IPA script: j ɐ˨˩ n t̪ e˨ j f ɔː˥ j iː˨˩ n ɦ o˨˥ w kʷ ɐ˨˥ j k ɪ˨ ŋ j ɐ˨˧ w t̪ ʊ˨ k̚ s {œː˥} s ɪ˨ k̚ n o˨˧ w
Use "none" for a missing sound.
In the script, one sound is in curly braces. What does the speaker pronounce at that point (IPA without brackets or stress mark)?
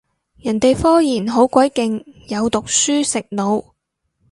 yː˥